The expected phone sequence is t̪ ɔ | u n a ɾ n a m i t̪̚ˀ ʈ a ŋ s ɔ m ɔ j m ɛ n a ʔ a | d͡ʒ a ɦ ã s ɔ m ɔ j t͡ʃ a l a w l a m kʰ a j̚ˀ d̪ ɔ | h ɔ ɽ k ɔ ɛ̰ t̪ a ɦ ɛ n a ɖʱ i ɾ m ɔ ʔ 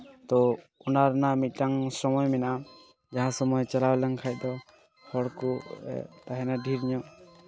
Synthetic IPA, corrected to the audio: t̪ ɔ | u n a ɾ n a m i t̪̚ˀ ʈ a ŋ s ɔ m ɔ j m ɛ n a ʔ a | d͡ʒ a ɦ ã s ɔ m ɔ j t͡ʃ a l a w l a ŋ kʰ a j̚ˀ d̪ ɔ | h ɔ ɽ k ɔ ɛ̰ t̪ a ɦ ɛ n a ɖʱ i ɾ ɲ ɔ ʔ